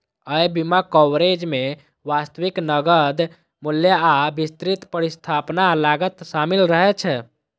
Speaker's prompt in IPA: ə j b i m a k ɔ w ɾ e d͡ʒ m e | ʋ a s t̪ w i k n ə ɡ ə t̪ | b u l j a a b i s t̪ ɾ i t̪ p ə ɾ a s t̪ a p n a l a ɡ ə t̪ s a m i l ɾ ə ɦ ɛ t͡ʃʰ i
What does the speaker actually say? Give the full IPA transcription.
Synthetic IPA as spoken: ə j b i m a k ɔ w ɾ e d͡ʒ m e | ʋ a s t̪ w i k n ə ɡ ə d̪ | m u l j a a b i s t̪ ɾ i t̪ p ə ɾ i s t̪ʰ a p n a l a ɡ ə t̪ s a m i l ɾ ə ɦ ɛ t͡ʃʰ ɛ